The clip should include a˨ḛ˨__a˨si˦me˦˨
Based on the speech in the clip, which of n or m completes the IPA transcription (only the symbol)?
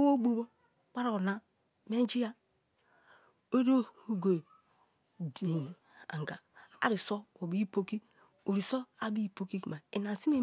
n